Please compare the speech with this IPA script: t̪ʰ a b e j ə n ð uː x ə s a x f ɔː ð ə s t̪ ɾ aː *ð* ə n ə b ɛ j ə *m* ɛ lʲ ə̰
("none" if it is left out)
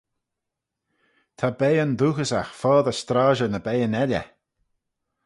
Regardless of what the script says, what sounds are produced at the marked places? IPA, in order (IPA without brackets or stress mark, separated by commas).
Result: ʒ, n